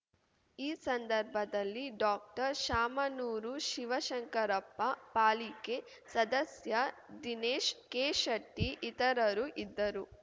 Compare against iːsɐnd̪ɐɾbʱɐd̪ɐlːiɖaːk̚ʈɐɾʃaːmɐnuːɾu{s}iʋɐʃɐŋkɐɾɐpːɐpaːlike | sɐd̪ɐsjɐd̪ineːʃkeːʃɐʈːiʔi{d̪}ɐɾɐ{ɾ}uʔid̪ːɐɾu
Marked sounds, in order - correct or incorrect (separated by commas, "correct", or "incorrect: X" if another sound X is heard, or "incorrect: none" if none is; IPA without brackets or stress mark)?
incorrect: ʃ, incorrect: t̪, correct